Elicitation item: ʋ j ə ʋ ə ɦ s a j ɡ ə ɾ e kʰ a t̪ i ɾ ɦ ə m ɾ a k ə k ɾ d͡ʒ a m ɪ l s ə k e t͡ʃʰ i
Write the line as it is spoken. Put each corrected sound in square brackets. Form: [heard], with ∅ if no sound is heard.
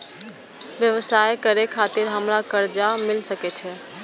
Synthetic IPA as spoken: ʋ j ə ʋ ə [∅] s a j [k] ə ɾ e kʰ a t̪ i ɾ ɦ ə m ɾ a k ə [∅] ɾ d͡ʒ a m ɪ l s ə k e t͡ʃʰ [ɛ]

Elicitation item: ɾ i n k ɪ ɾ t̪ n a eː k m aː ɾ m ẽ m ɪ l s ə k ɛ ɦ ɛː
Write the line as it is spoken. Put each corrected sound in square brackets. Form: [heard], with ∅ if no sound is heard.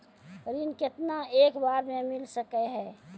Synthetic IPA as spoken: ɾ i n k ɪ [∅] t̪ n a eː k [b] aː ɾ m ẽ m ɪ l s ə k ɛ ɦ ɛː

